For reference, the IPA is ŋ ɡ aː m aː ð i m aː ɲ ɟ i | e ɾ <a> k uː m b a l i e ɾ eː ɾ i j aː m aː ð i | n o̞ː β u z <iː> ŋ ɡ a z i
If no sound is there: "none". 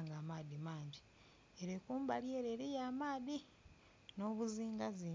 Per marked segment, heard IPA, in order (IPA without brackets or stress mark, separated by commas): e, iː